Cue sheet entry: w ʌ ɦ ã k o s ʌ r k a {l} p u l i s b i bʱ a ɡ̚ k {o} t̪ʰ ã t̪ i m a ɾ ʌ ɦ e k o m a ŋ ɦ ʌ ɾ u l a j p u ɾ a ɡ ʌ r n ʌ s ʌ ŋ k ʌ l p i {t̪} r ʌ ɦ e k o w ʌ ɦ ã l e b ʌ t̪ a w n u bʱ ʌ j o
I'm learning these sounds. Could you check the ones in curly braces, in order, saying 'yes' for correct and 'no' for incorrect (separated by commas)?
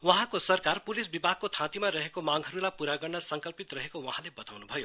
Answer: no, yes, yes